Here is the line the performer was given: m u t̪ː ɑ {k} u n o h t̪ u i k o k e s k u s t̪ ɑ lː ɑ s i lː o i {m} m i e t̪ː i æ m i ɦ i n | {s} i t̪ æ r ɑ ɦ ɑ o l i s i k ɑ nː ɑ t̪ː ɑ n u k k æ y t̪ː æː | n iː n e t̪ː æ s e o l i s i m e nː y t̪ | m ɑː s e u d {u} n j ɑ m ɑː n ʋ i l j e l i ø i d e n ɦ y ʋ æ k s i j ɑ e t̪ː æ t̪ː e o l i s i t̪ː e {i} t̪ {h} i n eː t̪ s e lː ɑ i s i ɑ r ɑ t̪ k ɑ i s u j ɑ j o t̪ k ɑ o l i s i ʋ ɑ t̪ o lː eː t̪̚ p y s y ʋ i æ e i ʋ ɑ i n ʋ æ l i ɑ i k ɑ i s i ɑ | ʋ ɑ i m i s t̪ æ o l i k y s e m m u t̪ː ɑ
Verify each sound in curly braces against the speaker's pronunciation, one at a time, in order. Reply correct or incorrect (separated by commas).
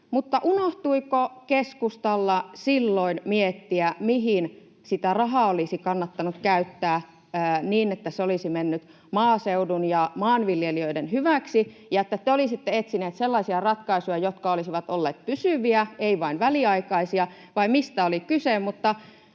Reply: incorrect, incorrect, correct, correct, incorrect, incorrect